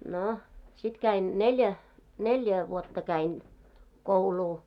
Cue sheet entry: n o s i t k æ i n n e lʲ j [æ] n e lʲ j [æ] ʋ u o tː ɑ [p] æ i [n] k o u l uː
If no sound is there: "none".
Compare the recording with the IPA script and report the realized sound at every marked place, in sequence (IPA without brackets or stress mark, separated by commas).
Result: æ, æ, k, n